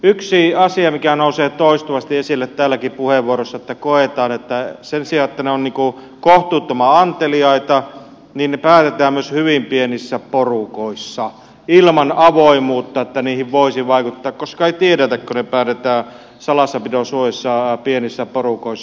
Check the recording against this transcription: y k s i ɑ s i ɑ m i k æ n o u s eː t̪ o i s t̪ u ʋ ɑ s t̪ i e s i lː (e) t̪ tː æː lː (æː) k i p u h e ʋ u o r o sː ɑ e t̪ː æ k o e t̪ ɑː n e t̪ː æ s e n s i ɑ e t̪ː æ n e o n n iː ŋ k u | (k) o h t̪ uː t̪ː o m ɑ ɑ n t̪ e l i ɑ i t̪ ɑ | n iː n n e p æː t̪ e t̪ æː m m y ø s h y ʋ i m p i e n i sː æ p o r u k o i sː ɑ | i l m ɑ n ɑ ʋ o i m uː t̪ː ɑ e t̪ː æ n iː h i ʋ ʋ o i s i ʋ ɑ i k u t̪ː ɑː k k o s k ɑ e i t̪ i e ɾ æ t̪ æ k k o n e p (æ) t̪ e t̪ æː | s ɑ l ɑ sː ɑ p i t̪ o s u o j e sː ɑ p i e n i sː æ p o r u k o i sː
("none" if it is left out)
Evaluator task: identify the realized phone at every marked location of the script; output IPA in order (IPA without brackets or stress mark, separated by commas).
e, æ, k, æː